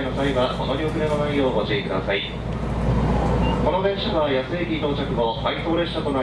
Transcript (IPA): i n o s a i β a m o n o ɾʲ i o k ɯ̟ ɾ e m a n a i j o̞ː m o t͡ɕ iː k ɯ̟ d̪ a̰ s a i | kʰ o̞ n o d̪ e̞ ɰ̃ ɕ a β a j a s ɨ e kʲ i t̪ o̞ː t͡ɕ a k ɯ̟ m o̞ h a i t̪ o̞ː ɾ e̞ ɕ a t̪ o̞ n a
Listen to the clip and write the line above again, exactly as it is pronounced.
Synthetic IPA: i n o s a i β a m o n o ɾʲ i o k ɯ̟ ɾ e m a n a i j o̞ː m o t͡ɕ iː k ɯ̟ d̪ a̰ s a i | k o̞ n o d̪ e̞ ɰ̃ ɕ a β a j a s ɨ e kʲ i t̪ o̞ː t͡ɕ a k ɯ̟ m o̞ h a i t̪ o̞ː ɾ e̞ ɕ a t̪ o̞ n a